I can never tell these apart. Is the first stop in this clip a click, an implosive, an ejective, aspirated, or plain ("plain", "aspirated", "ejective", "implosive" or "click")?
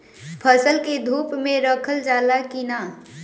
aspirated